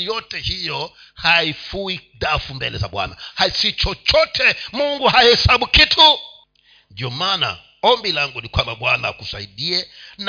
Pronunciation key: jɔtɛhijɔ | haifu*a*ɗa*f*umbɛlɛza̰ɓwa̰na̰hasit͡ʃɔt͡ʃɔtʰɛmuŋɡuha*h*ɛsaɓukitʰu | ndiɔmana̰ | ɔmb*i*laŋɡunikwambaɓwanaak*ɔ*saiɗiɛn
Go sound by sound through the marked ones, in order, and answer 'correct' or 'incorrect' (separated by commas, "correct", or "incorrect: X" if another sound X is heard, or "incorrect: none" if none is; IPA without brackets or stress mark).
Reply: incorrect: i, correct, correct, correct, incorrect: u